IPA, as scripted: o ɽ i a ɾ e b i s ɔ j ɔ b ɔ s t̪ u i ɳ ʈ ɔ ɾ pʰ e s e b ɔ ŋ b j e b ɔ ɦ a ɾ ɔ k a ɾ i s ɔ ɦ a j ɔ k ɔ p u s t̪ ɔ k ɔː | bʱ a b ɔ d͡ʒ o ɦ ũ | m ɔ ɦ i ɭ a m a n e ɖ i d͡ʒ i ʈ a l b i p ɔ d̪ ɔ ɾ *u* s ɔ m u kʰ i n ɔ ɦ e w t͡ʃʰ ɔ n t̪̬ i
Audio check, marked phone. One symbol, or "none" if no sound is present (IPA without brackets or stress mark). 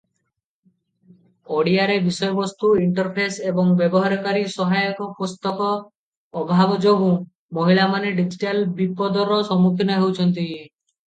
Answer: ɔ